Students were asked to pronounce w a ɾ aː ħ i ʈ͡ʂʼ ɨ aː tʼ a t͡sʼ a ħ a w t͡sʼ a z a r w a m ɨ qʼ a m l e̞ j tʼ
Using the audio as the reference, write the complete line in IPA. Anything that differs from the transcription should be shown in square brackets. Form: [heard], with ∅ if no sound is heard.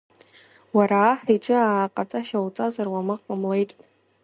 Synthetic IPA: w a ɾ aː ħ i ʈ͡ʂʼ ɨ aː [qʼ] a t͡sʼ a [ʃ] a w t͡sʼ a z a r w a m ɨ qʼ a m l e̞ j tʼ